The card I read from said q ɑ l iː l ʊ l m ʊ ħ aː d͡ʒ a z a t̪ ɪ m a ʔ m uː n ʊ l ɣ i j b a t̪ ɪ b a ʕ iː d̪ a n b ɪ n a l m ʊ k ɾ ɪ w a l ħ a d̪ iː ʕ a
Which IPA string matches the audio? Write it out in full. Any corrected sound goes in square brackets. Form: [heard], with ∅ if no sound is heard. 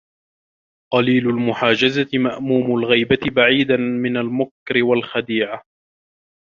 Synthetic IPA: q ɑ l iː l ʊ l m ʊ ħ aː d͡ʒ a z a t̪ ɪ m a ʔ m uː [m] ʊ l ɣ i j b a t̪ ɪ b a ʕ iː d̪ a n [m] ɪ n a l m ʊ k ɾ ɪ w a l [x] a d̪ iː ʕ a

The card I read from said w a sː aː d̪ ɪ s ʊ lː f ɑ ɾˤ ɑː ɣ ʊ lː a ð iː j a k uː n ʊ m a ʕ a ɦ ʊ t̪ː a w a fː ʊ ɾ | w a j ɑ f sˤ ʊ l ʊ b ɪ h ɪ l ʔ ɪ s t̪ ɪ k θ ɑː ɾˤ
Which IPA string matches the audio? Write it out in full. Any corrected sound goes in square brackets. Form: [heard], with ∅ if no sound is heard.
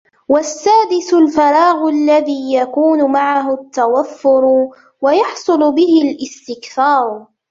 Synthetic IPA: w a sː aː d̪ ɪ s ʊ [l] f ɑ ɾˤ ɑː ɣ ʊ lː a ð iː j a k uː n ʊ m a ʕ a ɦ ʊ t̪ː a w a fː ʊ ɾ | w a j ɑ [ħ] sˤ ʊ l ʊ b ɪ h ɪ l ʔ ɪ s t̪ ɪ k θ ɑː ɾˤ

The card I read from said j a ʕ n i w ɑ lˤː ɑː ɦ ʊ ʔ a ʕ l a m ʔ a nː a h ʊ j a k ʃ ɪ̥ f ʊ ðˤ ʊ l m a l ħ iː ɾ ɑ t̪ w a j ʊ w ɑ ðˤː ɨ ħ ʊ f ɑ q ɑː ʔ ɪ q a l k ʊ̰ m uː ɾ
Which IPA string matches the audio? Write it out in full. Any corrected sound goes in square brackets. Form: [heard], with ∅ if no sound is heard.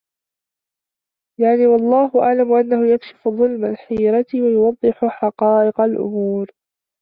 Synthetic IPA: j a ʕ n [iː] w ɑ lˤː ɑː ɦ ʊ ʔ a ʕ l a m ʔ a nː a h ʊ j a k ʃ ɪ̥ f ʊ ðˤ ʊ l m a l ħ iː ɾ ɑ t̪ w a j ʊ w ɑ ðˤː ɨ ħ ʊ [ħ] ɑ q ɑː ʔ ɪ q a l [ʔ] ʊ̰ m uː ɾ

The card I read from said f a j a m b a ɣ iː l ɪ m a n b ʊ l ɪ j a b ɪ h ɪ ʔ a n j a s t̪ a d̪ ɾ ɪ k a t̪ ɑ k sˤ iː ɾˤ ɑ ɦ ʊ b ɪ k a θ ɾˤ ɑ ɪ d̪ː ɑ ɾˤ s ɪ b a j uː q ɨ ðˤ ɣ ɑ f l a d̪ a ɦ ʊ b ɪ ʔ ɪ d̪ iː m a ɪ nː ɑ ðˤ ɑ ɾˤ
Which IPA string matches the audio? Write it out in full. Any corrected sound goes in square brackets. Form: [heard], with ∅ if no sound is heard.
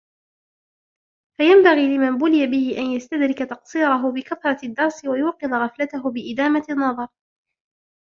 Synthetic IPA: f a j a m b a ɣ iː l ɪ m a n b ʊ l ɪ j a b ɪ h ɪ ʔ a n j a s t̪ a d̪ ɾ ɪ k a t̪ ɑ [q] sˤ iː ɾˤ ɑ ɦ ʊ b ɪ k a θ ɾˤ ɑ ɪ d̪ː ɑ ɾˤ s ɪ [w] a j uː q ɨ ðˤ ɣ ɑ f l a [t̪] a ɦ ʊ b ɪ ʔ ɪ d̪ [aː] m a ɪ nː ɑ ðˤ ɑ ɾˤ

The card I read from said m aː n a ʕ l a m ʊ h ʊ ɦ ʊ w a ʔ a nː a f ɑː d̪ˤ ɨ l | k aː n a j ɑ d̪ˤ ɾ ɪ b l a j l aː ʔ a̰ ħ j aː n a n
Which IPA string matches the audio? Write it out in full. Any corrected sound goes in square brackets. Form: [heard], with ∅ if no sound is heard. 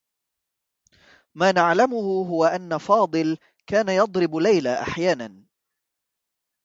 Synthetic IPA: m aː n a ʕ l a m ʊ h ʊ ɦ ʊ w a ʔ a nː a f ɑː d̪ˤ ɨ l | k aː n a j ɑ d̪ˤ ɾ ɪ b l a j l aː ʔ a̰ ħ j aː n a n

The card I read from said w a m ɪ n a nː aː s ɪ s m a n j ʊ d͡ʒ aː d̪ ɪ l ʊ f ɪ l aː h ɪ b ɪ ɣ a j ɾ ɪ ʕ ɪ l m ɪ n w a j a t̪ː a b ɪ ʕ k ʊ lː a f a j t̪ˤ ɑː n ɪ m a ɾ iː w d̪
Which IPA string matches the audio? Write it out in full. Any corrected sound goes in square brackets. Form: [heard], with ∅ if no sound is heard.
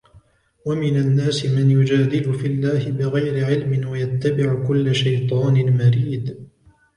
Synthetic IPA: w a m ɪ n a nː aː s ɪ [∅] m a n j ʊ d͡ʒ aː d̪ ɪ l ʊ f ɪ [lː] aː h ɪ b ɪ ɣ a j ɾ ɪ ʕ ɪ l m ɪ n w a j a t̪ː a b ɪ ʕ k ʊ lː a [ʃ] a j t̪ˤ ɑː n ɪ m a ɾ iː [∅] d̪

